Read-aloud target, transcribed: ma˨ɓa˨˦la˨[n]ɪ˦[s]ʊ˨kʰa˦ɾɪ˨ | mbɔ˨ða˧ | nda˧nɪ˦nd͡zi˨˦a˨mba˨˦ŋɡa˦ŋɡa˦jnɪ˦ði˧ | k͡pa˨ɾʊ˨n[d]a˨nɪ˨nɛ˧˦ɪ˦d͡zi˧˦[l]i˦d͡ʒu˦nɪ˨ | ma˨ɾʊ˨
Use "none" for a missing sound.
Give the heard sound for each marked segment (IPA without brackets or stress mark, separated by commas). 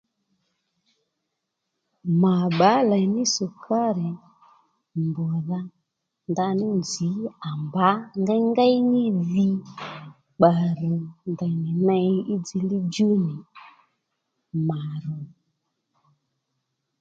n, s, d, l